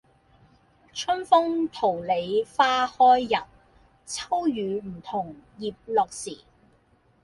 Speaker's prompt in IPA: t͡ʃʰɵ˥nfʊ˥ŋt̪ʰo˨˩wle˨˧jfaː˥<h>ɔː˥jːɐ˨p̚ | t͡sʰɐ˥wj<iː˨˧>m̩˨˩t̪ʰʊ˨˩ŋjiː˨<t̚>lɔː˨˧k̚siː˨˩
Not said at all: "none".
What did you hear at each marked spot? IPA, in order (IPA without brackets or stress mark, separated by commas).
h, yː˨˧, p̚